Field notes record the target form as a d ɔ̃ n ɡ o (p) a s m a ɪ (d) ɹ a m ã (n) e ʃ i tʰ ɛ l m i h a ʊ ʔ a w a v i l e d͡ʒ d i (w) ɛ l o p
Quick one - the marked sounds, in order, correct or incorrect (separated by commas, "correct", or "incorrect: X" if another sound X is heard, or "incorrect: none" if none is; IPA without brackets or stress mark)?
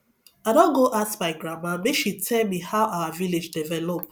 incorrect: ʔ, incorrect: ɡ, incorrect: m, incorrect: v